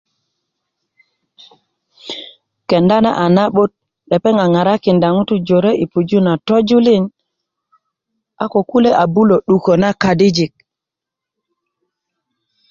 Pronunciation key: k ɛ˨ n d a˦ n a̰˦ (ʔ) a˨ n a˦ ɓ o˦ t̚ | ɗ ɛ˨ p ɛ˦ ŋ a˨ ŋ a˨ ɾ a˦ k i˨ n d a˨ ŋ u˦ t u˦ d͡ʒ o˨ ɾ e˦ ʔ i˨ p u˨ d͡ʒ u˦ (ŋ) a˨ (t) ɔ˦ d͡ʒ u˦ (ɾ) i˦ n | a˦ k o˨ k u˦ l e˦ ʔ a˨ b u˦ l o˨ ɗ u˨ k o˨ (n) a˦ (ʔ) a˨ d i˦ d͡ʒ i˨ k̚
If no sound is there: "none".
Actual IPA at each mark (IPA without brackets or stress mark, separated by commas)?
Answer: ʔ, n, t, l, n, k